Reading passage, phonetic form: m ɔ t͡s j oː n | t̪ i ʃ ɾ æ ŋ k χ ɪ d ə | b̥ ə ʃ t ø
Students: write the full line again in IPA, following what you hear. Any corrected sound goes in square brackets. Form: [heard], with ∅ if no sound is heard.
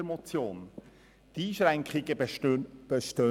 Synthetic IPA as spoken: m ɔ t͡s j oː n | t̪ [iː] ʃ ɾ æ ŋ k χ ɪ [ɡ] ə | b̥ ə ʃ t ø